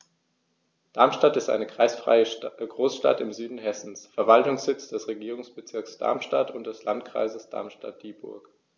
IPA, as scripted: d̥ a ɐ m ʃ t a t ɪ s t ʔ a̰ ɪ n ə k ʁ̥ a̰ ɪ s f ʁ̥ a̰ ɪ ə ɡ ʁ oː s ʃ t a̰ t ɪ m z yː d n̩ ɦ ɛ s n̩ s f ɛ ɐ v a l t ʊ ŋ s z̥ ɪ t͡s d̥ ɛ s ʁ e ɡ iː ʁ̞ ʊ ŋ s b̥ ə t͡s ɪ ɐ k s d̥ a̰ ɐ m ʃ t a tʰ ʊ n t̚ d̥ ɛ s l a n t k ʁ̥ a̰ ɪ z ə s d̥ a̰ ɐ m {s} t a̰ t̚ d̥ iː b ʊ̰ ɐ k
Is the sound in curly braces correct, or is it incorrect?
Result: incorrect